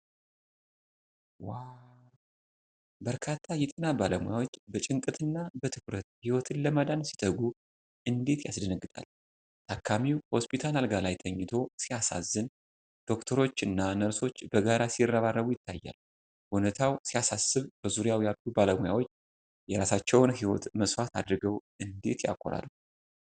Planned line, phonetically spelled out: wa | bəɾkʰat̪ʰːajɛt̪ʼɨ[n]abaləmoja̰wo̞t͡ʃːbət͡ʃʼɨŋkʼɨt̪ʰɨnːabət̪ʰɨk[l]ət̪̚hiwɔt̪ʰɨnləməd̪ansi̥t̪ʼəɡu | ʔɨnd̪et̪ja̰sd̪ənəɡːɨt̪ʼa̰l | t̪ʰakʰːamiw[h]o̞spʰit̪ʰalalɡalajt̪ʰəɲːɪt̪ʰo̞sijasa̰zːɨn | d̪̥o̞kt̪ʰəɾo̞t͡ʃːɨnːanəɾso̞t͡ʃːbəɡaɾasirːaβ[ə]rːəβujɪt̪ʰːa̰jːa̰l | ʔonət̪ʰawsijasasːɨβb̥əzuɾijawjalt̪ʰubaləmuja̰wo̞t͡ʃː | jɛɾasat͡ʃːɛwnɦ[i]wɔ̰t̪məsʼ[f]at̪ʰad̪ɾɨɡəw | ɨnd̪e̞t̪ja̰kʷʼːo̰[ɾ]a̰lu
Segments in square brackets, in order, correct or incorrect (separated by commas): correct, incorrect, correct, incorrect, correct, correct, correct